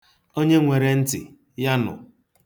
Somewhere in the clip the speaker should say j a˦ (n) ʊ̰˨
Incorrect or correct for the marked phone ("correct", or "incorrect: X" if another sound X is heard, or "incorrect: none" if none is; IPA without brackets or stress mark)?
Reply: correct